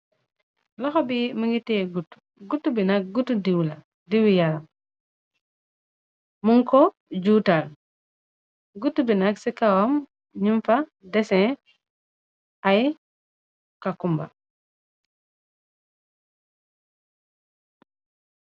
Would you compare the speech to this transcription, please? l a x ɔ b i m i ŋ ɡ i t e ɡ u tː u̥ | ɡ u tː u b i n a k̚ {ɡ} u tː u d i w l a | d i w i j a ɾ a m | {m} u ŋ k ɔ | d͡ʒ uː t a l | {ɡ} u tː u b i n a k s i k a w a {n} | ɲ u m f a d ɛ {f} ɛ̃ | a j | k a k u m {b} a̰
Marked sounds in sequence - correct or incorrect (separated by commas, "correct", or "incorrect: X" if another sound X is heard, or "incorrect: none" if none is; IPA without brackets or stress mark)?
correct, correct, correct, incorrect: m, incorrect: s, correct